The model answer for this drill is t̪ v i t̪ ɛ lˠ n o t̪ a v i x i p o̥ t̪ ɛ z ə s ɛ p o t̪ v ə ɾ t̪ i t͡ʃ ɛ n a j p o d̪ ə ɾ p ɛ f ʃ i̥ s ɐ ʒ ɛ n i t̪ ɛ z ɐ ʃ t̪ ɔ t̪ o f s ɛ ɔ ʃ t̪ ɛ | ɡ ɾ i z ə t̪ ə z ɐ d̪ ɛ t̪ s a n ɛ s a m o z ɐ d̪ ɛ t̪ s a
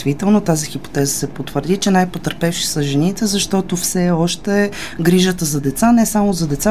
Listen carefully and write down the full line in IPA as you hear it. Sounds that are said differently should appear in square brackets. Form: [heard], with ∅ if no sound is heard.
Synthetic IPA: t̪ v i t̪ ɛ lˠ n o t̪ a [z] i x i p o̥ t̪ ɛ z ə s ɛ p o t̪ v ə ɾ [d̪] i t͡ʃ ɛ n a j p o [t̪] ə ɾ p ɛ f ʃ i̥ s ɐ ʒ ɛ n i t̪ ɛ z ɐ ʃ t̪ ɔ t̪ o f s ɛ ɔ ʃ t̪ ɛ | ɡ ɾ i [ʒ] ə t̪ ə z ɐ d̪ ɛ t̪ s a n ɛ s a m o z ɐ d̪ ɛ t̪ s a